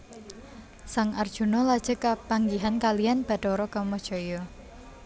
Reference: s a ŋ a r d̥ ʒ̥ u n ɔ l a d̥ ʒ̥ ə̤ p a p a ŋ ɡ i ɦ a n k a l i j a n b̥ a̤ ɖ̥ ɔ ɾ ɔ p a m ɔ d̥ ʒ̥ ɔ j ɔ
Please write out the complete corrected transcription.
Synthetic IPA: s a ŋ a r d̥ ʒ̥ u n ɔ l a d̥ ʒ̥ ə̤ k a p a ŋ ɡ i ɦ a n k a l i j a n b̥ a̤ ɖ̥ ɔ ɾ ɔ k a m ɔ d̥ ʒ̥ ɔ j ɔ